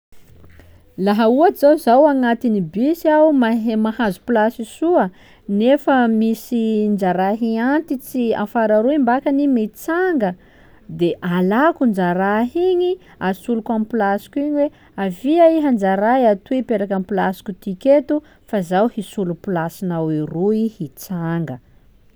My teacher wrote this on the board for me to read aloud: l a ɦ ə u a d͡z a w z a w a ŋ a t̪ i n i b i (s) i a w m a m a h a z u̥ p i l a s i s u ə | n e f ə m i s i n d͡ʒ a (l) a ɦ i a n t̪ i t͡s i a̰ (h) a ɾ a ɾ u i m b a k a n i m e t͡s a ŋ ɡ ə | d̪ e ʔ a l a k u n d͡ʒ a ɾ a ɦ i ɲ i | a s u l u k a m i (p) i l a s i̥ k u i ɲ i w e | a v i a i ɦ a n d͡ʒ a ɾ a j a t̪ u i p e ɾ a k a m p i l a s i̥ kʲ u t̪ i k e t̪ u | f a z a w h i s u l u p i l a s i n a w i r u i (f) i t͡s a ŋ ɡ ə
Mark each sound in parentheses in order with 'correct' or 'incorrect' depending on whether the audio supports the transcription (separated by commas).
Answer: correct, incorrect, incorrect, correct, incorrect